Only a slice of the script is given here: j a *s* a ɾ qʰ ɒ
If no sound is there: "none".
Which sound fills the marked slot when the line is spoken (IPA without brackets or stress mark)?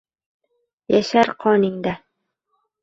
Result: ʃ